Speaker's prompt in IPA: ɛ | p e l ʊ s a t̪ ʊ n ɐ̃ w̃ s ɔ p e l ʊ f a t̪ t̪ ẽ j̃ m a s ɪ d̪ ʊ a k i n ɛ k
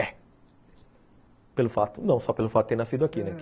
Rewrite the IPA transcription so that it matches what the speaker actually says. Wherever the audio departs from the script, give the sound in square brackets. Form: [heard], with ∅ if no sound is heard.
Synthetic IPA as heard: ɛ | p e l ʊ [f] a t̪ ʊ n ɐ̃ w̃ s ɔ p e l ʊ f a t̪ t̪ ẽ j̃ [n] a s [i] d̪ ʊ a k i n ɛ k

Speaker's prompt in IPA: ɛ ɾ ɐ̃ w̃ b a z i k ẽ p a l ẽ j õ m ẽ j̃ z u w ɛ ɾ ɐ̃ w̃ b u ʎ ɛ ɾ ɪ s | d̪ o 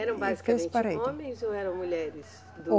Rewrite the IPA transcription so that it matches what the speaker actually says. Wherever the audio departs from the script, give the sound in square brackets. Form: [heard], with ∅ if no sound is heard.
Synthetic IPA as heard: ɛ ɾ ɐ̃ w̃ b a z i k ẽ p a [ɾ] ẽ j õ m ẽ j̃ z [o] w ɛ ɾ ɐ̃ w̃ [m] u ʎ ɛ ɾ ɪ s | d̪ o

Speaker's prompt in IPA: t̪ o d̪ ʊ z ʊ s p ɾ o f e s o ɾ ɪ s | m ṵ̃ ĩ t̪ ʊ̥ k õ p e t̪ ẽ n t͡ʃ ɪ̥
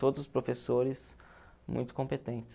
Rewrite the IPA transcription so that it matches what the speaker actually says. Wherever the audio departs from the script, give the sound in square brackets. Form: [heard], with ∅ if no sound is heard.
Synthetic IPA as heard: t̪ o d̪ ʊ z ʊ s p ɾ o f e s o ɾ ɪ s | m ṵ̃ [j̃] t̪ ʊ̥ k õ p e t̪ ẽ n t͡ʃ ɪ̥

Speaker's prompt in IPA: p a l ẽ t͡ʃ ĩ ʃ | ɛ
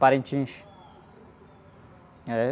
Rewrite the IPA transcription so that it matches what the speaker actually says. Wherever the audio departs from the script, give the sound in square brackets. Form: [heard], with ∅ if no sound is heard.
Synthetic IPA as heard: p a [ɾ] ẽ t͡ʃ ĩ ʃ | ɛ

